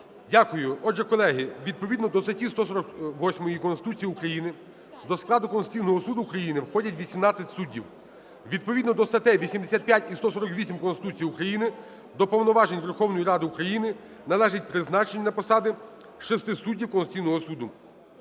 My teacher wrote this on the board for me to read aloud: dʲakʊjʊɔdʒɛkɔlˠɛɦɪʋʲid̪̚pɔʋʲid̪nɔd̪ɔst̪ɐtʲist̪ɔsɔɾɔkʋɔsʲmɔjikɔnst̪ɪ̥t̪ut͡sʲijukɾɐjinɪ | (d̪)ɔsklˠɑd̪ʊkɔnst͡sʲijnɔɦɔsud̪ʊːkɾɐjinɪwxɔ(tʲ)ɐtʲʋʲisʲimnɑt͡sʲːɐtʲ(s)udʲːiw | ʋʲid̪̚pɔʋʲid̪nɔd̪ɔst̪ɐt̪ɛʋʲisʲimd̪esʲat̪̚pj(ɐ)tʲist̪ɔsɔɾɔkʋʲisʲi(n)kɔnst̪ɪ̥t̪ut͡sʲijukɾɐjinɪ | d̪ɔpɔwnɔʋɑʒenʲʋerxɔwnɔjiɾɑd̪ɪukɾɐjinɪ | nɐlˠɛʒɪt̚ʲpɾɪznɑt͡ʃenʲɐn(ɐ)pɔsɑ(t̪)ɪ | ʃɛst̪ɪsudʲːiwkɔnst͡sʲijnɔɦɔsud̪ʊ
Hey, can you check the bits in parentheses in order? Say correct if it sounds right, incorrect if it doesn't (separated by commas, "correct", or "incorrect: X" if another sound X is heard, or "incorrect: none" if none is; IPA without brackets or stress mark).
correct, incorrect: dʲ, correct, incorrect: a, incorrect: m, correct, incorrect: d̪